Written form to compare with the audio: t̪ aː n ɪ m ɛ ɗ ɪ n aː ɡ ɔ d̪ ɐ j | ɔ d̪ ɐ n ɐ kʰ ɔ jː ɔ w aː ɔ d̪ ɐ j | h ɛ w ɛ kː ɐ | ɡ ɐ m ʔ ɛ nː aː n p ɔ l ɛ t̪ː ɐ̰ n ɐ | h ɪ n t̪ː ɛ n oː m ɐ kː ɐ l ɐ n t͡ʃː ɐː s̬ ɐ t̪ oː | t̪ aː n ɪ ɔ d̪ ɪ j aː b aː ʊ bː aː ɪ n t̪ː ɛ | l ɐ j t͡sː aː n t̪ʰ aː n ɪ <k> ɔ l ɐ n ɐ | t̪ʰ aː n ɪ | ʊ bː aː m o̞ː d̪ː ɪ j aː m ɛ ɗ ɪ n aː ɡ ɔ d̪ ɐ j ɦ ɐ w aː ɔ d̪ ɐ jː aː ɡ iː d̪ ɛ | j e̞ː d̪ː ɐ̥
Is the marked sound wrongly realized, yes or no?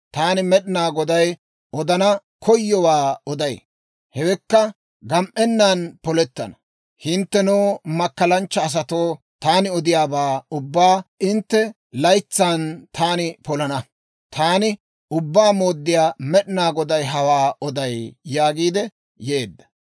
yes